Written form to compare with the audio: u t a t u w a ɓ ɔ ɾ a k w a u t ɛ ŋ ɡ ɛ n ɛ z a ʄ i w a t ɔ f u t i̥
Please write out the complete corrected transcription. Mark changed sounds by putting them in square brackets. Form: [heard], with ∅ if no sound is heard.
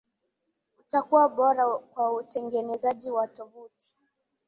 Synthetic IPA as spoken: u t a [k] u w a ɓ ɔ ɾ a k w a u t ɛ ŋ ɡ ɛ n ɛ z a ʄ i w a t ɔ [v] u t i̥